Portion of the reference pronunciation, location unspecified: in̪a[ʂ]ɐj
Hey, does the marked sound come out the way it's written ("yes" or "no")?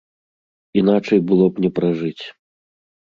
no